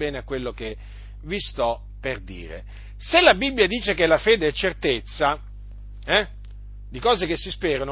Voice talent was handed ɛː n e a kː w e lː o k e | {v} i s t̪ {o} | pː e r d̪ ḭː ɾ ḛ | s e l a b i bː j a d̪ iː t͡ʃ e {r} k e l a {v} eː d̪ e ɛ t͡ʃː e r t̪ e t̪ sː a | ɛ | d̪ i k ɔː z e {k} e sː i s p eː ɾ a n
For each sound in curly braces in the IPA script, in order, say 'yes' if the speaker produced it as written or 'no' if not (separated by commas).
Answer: yes, no, no, no, yes